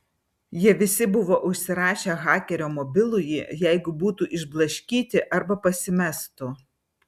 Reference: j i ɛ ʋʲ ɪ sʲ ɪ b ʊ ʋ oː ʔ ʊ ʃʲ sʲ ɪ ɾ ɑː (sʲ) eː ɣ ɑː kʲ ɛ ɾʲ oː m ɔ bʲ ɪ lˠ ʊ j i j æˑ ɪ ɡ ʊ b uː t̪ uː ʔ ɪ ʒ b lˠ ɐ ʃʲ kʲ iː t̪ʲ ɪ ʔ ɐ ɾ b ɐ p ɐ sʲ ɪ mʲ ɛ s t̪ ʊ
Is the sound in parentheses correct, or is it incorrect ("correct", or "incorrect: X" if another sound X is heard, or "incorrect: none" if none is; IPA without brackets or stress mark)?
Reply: incorrect: ʃʲ